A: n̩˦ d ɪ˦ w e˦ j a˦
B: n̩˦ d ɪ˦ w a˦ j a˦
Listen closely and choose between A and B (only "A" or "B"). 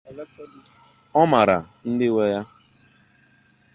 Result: A